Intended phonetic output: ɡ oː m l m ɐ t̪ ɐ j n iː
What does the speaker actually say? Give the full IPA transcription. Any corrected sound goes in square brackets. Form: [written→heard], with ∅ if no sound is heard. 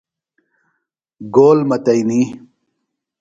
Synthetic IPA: ɡ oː [m→∅] l m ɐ t̪ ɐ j n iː